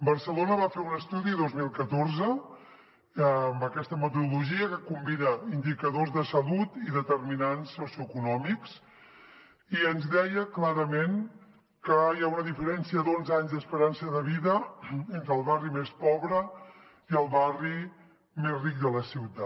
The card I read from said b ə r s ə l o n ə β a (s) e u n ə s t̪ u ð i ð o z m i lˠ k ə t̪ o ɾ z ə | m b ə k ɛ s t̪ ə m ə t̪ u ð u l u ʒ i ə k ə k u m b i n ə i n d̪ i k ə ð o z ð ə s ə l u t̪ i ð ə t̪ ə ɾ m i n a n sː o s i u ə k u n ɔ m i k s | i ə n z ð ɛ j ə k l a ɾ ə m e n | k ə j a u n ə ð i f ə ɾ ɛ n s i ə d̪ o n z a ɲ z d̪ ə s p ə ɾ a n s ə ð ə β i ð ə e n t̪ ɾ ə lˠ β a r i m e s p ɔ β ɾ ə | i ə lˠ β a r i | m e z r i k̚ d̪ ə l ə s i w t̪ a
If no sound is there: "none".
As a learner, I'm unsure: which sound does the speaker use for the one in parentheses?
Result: f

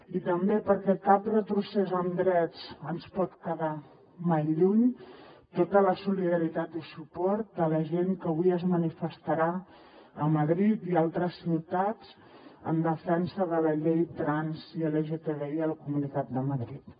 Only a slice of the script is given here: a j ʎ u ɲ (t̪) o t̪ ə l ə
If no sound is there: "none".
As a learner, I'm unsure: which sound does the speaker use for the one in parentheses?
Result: t̪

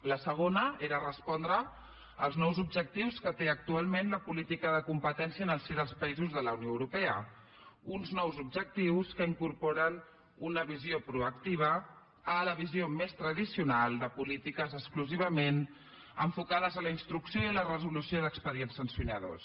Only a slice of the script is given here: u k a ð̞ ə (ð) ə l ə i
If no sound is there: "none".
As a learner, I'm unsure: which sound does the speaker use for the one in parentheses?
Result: z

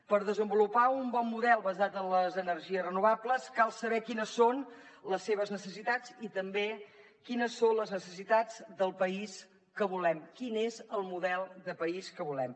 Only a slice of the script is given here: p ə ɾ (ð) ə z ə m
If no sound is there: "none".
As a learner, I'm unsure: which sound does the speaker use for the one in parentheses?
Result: ð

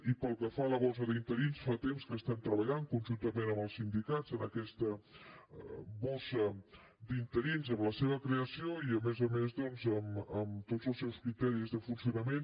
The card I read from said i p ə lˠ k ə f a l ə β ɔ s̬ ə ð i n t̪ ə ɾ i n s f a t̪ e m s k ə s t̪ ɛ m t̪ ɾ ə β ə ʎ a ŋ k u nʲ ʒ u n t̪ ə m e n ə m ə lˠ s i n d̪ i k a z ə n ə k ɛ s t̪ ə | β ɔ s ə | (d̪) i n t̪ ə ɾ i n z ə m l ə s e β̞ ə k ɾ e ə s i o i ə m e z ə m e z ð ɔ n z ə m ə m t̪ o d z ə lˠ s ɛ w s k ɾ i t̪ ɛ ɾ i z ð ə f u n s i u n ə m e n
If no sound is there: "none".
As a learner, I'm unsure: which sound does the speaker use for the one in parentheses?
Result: d̪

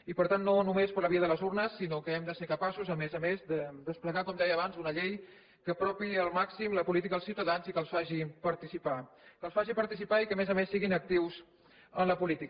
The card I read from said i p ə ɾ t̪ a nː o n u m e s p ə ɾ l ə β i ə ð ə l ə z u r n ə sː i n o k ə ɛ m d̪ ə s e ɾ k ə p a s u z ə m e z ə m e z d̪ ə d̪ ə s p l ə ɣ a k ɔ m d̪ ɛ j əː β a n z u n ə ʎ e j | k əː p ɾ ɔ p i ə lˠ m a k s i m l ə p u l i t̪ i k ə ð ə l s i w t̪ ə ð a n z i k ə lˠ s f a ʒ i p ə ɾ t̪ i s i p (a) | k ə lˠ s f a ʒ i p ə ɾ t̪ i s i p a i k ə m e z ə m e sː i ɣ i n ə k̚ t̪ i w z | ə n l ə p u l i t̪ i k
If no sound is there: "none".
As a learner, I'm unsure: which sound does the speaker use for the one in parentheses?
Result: a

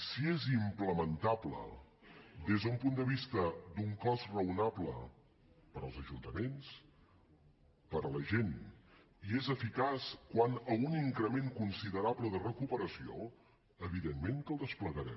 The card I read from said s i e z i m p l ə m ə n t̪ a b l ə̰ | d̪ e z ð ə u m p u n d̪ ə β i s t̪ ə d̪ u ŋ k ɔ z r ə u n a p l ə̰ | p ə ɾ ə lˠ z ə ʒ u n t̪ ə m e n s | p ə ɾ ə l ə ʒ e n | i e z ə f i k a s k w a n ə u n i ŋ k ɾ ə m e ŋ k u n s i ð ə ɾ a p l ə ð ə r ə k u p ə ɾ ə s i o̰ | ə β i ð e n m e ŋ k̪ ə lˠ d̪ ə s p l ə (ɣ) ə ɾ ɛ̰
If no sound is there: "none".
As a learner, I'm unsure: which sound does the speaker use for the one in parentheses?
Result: ɣ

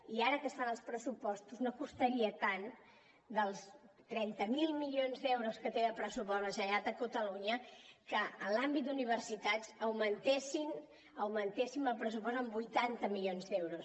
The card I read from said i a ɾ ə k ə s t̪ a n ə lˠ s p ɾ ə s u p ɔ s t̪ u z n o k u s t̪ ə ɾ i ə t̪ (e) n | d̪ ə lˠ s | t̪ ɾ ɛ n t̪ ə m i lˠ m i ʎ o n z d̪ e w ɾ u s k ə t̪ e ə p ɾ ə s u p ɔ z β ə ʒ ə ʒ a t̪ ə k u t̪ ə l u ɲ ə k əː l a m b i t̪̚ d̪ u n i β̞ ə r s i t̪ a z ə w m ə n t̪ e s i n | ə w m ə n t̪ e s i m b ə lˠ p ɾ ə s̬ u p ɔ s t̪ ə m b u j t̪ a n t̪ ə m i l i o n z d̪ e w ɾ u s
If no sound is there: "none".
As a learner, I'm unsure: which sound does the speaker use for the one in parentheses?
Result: a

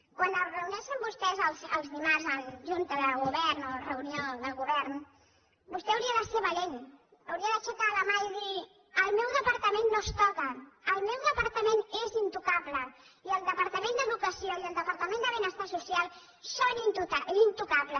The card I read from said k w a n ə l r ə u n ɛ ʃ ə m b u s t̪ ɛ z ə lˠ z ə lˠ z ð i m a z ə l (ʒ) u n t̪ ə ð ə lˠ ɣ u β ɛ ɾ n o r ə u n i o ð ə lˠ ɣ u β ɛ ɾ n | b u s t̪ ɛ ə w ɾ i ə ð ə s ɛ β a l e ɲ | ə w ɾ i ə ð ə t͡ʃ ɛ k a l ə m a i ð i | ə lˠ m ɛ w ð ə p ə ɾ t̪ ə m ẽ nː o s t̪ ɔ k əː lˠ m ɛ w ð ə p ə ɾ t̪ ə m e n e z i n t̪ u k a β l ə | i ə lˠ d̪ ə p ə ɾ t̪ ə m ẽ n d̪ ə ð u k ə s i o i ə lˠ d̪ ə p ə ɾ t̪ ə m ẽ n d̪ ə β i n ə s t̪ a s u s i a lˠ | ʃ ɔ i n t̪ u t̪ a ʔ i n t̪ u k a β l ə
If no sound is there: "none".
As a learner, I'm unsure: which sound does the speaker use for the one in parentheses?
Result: ʒ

